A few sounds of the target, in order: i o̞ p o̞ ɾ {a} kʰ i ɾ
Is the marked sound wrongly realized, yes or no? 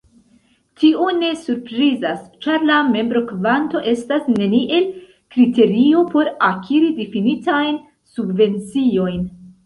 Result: no